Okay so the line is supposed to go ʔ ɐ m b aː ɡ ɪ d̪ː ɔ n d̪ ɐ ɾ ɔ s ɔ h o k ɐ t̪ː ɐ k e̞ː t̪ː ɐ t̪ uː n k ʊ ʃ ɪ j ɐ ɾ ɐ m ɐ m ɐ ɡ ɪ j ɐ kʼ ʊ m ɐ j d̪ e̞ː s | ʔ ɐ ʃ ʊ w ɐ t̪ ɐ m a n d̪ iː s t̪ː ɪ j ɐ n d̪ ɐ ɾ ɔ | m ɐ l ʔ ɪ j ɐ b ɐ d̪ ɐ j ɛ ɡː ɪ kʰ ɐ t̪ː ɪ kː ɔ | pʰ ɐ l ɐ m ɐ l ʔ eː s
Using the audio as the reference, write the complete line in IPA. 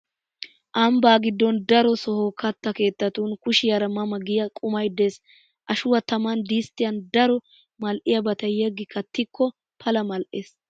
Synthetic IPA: ʔ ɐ m b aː ɡ ɪ d̪ː ɔ n d̪ ɐ ɾ ɔ s ɔ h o k ɐ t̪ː ɐ k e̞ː t̪ː ɐ t̪ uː n k ʊ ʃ ɪ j ɐ ɾ ɐ m ɐ m ɐ ɡ ɪ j ɐ kʼ ʊ m ɐ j d̪ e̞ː s | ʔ ɐ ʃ ʊ w ɐ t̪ ɐ m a n d̪ iː s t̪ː ɪ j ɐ n d̪ ɐ ɾ ɔ | m ɐ l ʔ ɪ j ɐ b ɐ t̪ ɐ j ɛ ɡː ɪ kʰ ɐ t̪ː ɪ kː ɔ | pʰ ɐ l ɐ m ɐ l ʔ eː s

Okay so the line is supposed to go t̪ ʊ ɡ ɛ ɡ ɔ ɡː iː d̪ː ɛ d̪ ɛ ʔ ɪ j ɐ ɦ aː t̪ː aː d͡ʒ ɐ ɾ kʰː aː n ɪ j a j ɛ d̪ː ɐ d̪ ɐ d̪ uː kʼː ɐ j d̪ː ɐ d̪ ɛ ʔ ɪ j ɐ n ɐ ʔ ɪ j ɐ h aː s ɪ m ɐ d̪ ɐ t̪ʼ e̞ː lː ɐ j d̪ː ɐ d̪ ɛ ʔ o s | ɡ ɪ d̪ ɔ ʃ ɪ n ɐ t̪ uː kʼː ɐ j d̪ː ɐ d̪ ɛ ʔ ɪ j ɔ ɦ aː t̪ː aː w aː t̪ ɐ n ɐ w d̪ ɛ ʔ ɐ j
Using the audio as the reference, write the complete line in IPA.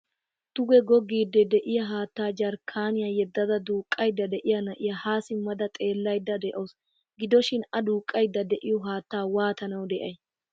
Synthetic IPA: t̪ ʊ ɡ ɛ ɡ ɔ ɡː iː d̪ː ɛ d̪ ɛ ʔ ɪ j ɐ ɦ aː t̪ː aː d͡ʒ ɐ ɾ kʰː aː n ɪ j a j ɛ d̪ː ɐ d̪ ɐ d̪ uː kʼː ɐ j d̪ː ɐ d̪ ɛ ʔ ɪ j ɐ n ɐ ʔ ɪ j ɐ h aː s ɪ m ɐ d̪ ɐ t̪ʼ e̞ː lː ɐ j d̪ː ɐ d̪ ɛ ʔ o s | ɡ ɪ d̪ ɔ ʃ ɪ n ɐ d̪ uː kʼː ɐ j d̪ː ɐ d̪ ɛ ʔ ɪ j ɔ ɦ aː t̪ː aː w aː t̪ ɐ n ɐ w d̪ ɛ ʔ ɐ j

